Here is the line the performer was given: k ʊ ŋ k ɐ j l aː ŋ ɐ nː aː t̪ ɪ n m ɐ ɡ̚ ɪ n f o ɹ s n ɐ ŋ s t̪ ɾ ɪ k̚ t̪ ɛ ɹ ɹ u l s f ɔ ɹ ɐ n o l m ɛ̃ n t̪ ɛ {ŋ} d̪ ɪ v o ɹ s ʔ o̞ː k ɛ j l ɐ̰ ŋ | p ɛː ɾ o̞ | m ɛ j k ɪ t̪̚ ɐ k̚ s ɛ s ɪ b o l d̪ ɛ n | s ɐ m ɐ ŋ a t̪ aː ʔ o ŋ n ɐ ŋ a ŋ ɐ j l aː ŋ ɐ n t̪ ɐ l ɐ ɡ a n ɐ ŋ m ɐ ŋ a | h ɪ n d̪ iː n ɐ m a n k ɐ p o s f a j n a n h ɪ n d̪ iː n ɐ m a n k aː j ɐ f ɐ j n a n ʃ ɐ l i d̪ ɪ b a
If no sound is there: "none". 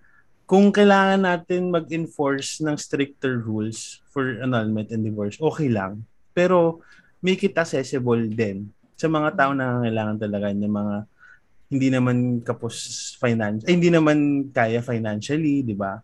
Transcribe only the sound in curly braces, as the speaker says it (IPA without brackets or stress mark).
n